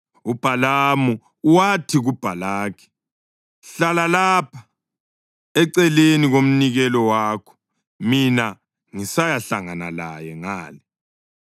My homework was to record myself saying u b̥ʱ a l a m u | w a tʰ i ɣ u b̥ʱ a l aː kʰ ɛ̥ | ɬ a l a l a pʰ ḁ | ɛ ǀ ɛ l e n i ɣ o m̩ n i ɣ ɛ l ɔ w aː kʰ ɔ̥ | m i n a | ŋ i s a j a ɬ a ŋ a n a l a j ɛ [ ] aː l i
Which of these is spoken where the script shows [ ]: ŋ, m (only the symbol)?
ŋ